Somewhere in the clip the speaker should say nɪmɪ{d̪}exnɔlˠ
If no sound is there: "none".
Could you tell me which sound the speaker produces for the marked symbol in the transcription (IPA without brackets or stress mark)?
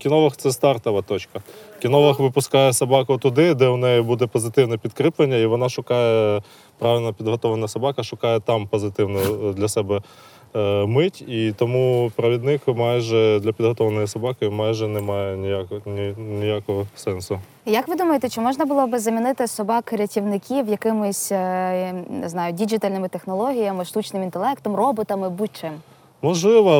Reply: t̪